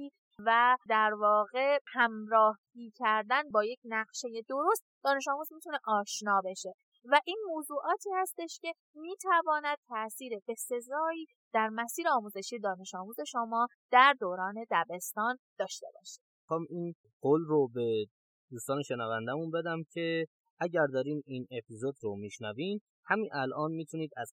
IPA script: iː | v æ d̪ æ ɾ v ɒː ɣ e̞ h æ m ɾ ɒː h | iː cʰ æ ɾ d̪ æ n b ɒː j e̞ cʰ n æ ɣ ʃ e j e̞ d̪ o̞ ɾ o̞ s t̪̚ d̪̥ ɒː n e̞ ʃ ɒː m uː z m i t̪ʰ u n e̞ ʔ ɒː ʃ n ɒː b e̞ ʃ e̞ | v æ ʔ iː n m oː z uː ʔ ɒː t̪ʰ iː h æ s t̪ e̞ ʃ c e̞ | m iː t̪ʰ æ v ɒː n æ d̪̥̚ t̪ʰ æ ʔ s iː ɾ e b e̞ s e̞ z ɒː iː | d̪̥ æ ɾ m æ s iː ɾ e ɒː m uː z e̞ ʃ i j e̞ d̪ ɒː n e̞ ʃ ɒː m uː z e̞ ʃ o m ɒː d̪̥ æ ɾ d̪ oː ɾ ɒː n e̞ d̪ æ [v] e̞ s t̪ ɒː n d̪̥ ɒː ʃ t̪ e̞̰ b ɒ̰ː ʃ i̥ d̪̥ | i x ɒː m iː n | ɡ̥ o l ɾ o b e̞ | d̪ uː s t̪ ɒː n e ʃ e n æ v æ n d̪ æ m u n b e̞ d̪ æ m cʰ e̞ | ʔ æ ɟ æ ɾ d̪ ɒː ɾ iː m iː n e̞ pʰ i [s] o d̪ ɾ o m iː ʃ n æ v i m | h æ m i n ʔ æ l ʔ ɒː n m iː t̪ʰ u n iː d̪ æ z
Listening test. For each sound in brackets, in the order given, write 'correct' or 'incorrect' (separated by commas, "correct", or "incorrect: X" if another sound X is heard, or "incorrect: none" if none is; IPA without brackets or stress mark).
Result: incorrect: b, incorrect: z